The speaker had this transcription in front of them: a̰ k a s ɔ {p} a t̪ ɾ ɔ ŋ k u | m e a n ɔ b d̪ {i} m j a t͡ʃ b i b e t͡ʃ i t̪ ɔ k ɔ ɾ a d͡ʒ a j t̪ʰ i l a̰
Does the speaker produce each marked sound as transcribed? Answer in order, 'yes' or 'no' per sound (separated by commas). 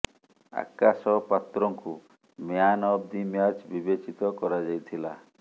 yes, yes